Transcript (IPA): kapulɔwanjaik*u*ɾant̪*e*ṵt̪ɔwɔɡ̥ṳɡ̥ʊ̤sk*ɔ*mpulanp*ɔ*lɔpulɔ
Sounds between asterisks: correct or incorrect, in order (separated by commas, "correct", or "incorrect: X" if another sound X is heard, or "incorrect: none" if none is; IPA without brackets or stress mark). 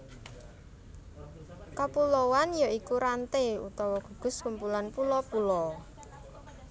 correct, correct, incorrect: u, incorrect: u